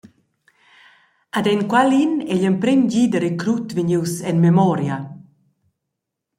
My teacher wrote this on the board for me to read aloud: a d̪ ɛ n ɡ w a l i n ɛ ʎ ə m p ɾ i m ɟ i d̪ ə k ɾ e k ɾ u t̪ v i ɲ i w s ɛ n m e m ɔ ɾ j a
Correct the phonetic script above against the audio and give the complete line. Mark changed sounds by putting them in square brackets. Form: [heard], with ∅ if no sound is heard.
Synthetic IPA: a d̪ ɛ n [k] w a l i n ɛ ʎ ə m p ɾ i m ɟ i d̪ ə [∅] ɾ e k ɾ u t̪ v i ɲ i w s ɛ n m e m ɔ ɾ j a